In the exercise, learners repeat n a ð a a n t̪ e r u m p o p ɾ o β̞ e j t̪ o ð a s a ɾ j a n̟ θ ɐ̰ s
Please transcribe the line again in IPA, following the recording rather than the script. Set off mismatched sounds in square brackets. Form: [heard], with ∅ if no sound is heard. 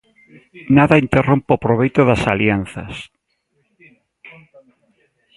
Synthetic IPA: n a ð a [i] n t̪ e r [o] m p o p ɾ o β̞ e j t̪ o ð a s a [l] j a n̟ θ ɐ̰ s